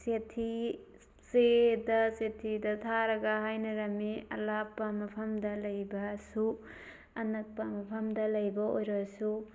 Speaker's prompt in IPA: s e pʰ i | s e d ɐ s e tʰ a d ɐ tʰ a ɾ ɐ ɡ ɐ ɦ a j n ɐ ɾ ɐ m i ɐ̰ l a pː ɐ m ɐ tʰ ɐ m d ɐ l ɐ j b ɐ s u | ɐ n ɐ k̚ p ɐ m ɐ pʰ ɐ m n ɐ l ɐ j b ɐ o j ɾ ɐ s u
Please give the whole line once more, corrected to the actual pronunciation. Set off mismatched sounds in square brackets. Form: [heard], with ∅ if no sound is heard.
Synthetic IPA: s e [tʰ] i | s e d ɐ s e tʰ [i] d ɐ tʰ a ɾ ɐ ɡ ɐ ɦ a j n ɐ ɾ ɐ m i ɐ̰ l a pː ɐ m ɐ [pʰ] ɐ m d ɐ l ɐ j b ɐ s u | ɐ n ɐ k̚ p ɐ m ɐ pʰ ɐ m [d] ɐ l ɐ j b ɐ o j ɾ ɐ s u

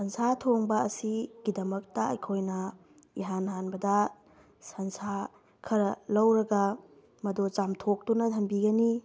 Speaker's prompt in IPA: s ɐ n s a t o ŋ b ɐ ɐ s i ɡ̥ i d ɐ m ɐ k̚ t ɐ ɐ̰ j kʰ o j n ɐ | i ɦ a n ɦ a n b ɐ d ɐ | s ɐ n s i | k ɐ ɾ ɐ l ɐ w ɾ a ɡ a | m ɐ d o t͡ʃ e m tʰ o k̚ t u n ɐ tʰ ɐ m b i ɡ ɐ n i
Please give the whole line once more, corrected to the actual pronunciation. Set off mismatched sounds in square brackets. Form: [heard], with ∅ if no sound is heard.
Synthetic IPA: s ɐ n s a [tʰ] o ŋ b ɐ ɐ s i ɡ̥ i d ɐ m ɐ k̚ t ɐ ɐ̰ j kʰ o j n ɐ | i ɦ a n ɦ a n b ɐ d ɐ | s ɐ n s [a] | [kʰ] ɐ ɾ ɐ l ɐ w ɾ [ɐ] ɡ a | m ɐ d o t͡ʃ [a] m tʰ o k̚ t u n ɐ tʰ ɐ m b i ɡ ɐ n i

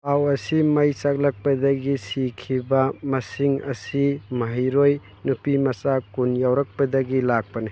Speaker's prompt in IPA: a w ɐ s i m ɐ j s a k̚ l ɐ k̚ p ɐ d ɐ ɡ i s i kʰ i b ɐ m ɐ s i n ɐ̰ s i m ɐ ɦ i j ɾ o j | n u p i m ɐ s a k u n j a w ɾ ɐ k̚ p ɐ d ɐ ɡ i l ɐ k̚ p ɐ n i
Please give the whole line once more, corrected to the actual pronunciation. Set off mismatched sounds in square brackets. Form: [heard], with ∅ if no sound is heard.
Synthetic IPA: a w ɐ s i m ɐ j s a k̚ l ɐ k̚ p ɐ d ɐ ɡ i s i kʰ i b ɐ m ɐ s i [ŋ] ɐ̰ s i m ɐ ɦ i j ɾ o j | n u p i m ɐ s a k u n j a w ɾ ɐ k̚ p ɐ d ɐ ɡ i l [a] k̚ p ɐ n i

